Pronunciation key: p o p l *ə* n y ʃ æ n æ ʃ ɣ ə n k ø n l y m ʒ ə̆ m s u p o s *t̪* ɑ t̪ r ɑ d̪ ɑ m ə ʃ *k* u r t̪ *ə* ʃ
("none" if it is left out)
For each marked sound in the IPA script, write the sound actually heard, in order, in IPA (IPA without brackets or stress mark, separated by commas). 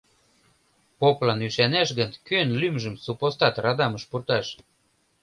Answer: ɑ, t̪, p, ɑ